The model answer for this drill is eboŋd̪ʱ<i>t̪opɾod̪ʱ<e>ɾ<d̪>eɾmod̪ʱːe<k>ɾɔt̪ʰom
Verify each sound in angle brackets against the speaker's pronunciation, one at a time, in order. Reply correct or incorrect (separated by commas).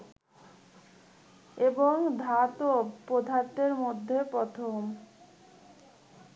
incorrect, incorrect, incorrect, incorrect